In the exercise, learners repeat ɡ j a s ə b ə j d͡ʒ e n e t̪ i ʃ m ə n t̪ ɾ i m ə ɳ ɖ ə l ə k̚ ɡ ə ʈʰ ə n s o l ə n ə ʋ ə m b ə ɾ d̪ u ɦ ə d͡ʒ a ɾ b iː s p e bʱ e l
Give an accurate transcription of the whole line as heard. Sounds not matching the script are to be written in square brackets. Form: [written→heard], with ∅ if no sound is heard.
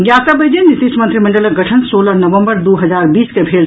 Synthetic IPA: ɡ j a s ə b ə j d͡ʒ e n [e→i] t̪ i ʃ m ə n t̪ ɾ i m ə ɳ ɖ ə l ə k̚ ɡ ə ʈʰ ə n s o l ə n ə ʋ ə m b ə ɾ d̪ u ɦ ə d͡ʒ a ɾ b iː s [p→k] e bʱ e l

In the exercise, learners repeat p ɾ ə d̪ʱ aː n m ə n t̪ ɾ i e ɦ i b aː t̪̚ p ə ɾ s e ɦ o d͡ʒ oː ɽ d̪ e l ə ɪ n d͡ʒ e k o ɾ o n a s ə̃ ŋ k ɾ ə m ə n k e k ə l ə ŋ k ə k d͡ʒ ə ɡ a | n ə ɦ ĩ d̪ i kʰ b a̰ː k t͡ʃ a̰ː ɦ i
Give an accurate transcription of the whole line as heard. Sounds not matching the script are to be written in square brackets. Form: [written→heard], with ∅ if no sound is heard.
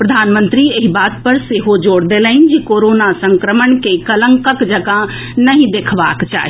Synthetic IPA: p ɾ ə d̪ʱ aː n m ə n t̪ ɾ i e ɦ i b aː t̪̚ p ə ɾ s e ɦ o d͡ʒ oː ɽ d̪ e l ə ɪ n d͡ʒ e k o ɾ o n a s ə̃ ŋ k ɾ ə m ə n k e k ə l ə ŋ k ə k d͡ʒ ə ɡ a | n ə ɦ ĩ d̪ [i→e] kʰ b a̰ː k t͡ʃ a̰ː ɦ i

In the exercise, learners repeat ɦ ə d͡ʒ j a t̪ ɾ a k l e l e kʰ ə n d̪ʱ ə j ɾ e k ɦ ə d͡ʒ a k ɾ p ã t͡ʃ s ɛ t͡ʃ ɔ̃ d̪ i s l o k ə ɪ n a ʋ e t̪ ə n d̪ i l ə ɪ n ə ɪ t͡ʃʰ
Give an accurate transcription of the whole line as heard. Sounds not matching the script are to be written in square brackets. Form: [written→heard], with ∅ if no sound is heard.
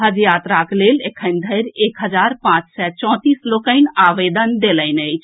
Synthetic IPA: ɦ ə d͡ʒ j a t̪ ɾ a k l e l e kʰ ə n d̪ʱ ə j ɾ e k ɦ ə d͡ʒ a [k→∅] ɾ p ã t͡ʃ s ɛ t͡ʃ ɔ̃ [d̪→t̪] i s l o k ə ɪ n a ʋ e [t̪→d̪] ə n d̪ [i→e] l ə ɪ n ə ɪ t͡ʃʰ

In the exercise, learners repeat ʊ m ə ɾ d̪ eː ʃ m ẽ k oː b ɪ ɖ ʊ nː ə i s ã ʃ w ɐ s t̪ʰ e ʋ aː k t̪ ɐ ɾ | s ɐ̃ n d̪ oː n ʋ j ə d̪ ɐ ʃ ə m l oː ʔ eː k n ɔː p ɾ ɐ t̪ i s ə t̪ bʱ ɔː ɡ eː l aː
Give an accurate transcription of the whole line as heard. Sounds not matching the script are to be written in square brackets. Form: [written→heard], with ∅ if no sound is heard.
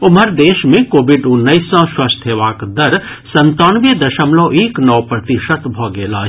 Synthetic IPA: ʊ m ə ɾ d̪ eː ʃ m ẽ k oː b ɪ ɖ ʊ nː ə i s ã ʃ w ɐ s t̪ʰ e ʋ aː k [t̪→d̪] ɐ ɾ | s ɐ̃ n [d̪→t̪] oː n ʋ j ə d̪ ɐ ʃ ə m l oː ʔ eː k n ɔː p ɾ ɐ t̪ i [s→ʃ] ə t̪ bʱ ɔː ɡ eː l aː

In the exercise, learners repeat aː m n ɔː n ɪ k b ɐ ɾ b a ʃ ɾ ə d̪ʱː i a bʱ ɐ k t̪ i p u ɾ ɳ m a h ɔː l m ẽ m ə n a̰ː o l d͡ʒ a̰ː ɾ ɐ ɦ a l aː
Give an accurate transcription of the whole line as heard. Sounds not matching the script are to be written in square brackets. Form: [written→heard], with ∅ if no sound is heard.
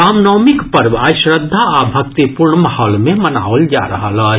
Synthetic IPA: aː m n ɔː [n→m] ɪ k [b→p] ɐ ɾ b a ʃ ɾ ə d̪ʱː [i→a] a bʱ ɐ k t̪ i p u ɾ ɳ m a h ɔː l m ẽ m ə n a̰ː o l d͡ʒ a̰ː ɾ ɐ ɦ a l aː

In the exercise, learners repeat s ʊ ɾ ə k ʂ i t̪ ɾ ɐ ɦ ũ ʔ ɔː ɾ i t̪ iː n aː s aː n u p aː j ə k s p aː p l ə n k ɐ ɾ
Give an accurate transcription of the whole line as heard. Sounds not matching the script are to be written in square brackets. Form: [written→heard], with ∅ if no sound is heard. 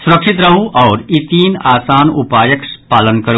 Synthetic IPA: s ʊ ɾ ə k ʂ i t̪ ɾ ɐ ɦ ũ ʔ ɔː ɾ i t̪ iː n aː s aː n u p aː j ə k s p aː [p→∅] l ə n k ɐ ɾ

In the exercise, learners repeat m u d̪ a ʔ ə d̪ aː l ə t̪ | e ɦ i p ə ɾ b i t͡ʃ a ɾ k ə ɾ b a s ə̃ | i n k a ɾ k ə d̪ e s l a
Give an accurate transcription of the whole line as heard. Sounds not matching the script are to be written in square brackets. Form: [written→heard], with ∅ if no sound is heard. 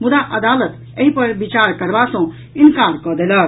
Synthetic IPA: m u d̪ a ʔ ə d̪ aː l ə t̪ | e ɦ i p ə ɾ b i t͡ʃ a ɾ k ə ɾ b a s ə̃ | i n k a ɾ k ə d̪ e [s→∅] l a

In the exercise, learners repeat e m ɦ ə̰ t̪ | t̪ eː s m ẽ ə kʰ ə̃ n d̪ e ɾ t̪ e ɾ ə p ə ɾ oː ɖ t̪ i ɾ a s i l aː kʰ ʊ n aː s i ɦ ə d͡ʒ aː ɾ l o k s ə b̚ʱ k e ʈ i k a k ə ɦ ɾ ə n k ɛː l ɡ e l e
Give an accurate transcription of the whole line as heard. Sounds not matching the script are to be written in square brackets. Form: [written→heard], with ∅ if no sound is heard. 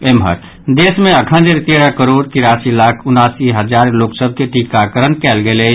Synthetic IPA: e m ɦ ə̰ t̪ | [t̪→d̪] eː s m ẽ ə kʰ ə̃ n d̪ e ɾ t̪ e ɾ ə [p→k] ə ɾ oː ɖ t̪ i ɾ a s i l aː kʰ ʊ n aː s i ɦ ə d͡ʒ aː ɾ l o k s ə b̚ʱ k e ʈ i k a k ə [ɦ→∅] ɾ ə n k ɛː l ɡ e l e

